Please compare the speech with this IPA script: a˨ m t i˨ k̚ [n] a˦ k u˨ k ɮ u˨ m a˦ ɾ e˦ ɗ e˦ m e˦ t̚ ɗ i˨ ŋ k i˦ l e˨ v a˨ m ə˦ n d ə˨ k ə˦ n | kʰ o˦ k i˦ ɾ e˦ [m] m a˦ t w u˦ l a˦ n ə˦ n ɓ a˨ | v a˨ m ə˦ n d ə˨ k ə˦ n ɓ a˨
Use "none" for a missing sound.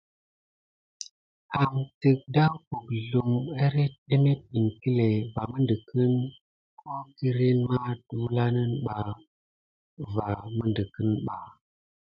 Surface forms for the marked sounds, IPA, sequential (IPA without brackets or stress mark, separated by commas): d, n